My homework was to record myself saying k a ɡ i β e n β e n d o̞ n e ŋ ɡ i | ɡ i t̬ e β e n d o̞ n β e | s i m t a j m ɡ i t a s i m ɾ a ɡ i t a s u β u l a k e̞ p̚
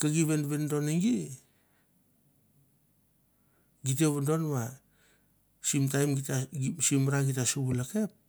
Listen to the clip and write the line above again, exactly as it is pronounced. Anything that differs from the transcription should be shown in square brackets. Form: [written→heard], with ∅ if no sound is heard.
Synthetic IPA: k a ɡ i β e n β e n d o̞ n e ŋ ɡ i | ɡ i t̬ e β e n d o̞ n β [e→a] | s i m t a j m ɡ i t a s i m ɾ a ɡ i t a s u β u l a k e̞ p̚